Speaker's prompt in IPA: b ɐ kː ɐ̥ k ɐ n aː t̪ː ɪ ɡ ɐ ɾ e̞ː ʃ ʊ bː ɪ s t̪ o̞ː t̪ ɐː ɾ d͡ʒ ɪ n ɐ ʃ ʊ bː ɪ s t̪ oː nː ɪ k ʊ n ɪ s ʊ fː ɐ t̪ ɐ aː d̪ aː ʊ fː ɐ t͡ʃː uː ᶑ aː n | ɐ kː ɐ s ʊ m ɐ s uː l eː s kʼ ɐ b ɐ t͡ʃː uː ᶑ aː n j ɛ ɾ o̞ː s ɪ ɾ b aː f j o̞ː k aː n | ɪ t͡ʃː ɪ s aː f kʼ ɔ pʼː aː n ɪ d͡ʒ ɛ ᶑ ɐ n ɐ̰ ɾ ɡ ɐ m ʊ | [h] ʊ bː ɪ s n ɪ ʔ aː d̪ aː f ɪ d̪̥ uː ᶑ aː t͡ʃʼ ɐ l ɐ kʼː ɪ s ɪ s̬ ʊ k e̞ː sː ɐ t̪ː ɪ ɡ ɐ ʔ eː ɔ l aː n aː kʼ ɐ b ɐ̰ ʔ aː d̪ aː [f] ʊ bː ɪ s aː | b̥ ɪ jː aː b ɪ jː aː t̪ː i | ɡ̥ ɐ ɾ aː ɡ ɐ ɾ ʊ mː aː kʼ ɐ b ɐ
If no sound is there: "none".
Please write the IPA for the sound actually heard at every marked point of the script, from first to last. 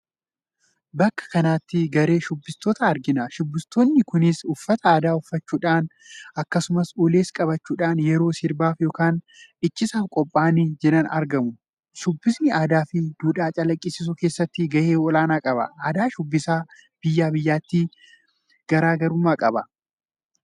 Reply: ʃ, ʃ

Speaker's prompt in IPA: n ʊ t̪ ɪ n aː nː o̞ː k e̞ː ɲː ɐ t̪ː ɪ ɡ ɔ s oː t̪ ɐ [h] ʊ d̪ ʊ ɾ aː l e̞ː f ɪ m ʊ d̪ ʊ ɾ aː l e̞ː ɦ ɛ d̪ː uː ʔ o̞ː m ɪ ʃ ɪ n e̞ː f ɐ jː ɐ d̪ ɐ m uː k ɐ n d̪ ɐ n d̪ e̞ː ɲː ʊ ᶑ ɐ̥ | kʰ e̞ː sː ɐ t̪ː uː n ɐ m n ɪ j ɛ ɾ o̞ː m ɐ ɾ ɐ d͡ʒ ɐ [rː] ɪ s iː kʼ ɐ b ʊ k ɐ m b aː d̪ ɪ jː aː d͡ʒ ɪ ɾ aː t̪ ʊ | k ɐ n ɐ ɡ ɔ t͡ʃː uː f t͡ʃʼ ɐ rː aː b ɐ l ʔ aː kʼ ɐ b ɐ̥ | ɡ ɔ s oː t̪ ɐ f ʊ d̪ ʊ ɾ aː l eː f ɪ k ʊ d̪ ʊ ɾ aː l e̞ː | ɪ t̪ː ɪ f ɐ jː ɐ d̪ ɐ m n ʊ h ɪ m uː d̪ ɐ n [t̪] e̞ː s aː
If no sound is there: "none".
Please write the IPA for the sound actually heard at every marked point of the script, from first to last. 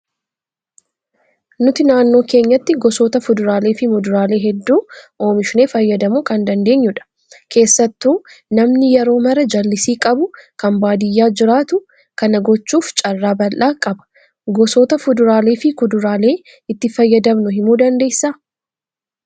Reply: f, lː, d̪

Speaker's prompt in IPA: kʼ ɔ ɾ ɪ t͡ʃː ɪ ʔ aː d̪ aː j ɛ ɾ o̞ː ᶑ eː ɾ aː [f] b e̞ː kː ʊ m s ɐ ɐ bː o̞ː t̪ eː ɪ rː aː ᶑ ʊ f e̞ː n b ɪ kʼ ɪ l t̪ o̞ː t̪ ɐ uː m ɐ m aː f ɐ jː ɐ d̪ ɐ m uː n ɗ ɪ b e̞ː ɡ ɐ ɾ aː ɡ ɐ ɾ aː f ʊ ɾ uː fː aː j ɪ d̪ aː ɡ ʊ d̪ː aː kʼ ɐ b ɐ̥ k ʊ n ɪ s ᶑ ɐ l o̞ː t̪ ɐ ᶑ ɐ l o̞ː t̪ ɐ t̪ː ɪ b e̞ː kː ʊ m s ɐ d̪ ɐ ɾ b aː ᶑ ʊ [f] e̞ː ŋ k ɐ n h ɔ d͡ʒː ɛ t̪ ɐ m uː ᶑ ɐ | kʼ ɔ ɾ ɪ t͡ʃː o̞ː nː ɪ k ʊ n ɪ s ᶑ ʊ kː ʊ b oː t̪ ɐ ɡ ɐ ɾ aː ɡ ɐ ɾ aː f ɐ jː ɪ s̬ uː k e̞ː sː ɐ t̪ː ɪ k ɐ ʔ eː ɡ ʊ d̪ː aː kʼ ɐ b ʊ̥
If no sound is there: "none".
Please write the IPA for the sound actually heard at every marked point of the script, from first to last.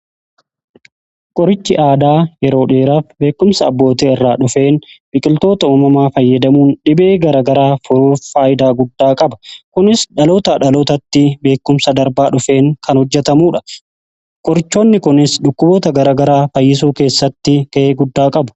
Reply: f, f

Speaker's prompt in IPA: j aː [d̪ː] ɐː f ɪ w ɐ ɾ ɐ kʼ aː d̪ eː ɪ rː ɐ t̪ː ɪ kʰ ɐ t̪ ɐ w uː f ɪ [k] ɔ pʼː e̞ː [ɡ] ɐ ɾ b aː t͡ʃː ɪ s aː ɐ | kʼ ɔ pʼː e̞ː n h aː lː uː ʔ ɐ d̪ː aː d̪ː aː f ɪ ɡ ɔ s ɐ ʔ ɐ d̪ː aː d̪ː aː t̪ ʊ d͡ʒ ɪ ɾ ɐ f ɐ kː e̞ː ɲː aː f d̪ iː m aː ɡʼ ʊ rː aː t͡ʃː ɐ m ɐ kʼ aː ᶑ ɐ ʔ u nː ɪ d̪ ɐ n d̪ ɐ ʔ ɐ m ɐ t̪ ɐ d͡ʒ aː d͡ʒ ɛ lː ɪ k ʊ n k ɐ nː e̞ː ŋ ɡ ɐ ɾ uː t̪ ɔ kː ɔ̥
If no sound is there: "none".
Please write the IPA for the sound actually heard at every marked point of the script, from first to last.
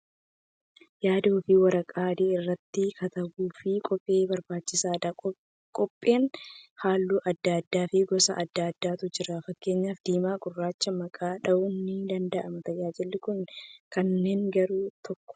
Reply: d̪, kʼ, b

